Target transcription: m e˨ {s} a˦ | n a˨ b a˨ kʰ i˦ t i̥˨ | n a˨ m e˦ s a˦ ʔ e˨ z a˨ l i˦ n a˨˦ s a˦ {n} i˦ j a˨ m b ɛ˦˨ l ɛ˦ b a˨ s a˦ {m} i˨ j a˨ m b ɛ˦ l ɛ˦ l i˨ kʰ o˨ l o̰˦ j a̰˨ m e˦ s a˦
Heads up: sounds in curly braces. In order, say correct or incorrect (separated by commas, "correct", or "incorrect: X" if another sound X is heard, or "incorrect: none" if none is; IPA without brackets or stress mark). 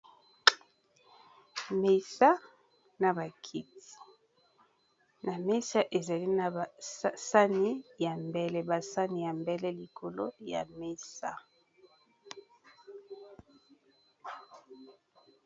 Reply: correct, correct, incorrect: n